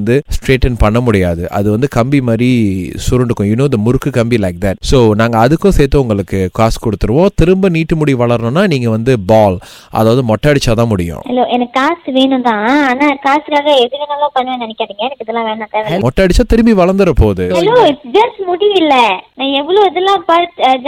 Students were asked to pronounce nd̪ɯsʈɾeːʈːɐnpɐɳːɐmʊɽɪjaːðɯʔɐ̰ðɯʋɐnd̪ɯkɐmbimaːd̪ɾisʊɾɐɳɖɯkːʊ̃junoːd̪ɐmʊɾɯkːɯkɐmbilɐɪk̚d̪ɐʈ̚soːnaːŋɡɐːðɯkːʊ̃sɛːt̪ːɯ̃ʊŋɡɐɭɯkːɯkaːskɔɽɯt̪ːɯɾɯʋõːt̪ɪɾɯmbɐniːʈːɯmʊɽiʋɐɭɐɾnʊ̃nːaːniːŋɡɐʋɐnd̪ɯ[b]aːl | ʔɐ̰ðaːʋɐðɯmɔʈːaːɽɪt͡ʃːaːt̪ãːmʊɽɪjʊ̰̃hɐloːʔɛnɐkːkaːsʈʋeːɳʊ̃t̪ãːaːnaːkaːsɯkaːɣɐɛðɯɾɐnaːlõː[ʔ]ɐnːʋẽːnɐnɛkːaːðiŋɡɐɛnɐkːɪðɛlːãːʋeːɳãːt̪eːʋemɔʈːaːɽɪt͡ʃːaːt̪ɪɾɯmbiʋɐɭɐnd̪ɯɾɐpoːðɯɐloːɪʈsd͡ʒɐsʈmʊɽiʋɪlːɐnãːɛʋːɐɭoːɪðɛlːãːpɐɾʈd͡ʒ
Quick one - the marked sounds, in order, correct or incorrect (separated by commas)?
correct, incorrect